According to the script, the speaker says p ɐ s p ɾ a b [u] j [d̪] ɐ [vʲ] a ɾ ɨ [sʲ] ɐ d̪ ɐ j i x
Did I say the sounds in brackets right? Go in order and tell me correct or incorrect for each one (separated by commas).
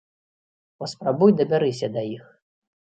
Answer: correct, correct, incorrect, correct